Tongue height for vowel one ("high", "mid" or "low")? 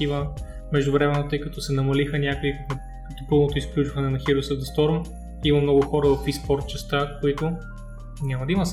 high